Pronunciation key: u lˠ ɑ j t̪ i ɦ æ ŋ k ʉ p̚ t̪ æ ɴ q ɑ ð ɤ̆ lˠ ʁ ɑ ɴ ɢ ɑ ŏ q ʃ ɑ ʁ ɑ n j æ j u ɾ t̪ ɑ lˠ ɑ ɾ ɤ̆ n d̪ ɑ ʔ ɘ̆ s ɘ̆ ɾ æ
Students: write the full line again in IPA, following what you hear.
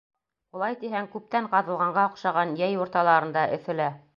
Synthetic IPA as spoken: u lˠ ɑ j t̪ i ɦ æ ŋ k ʉ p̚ t̪ æ ɴ q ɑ ð ɤ̆ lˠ ʁ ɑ ɴ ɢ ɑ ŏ q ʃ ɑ ʁ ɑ n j æ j u ɾ t̪ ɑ lˠ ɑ ɾ ɤ̆ n d̪ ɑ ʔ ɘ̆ θ ɘ̆ l æ